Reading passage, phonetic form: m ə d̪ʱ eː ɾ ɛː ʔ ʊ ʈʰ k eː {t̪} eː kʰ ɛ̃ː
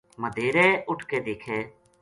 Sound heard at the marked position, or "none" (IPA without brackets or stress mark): d̪